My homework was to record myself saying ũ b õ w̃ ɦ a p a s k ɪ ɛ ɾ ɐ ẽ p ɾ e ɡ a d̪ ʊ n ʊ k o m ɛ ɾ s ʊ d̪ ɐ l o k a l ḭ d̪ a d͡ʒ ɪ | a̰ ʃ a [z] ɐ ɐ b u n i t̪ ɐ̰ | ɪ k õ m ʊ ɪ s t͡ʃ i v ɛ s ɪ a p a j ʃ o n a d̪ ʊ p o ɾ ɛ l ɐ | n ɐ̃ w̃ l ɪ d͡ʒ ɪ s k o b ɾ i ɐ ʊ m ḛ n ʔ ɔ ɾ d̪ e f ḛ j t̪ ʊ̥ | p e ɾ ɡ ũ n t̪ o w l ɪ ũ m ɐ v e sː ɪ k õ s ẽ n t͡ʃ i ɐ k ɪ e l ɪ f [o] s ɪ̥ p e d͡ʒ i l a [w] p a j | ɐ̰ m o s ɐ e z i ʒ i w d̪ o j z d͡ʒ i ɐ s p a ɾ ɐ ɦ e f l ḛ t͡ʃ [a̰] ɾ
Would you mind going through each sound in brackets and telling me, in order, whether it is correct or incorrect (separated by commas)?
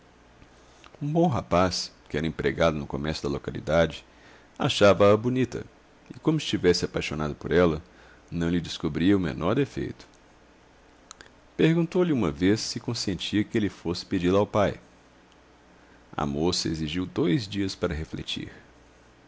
incorrect, correct, correct, incorrect